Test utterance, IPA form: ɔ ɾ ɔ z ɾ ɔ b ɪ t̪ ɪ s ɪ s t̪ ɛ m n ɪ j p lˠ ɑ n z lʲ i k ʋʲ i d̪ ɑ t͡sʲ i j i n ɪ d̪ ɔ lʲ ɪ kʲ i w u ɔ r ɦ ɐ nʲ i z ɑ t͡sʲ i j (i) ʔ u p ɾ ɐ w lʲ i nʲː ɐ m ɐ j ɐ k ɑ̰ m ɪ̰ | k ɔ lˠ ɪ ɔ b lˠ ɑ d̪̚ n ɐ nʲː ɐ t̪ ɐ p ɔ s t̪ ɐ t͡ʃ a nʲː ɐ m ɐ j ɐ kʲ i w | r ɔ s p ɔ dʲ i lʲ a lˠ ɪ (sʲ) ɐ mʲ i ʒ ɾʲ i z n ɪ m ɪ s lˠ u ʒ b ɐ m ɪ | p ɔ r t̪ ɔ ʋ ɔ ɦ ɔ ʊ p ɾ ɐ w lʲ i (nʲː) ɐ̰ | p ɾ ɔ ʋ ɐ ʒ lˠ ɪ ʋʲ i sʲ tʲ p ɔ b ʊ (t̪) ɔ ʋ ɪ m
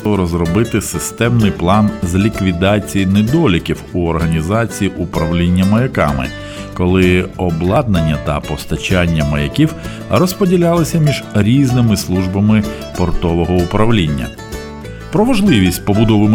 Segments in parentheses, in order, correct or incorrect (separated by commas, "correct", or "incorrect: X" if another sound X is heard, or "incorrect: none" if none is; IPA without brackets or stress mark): correct, correct, correct, incorrect: d̪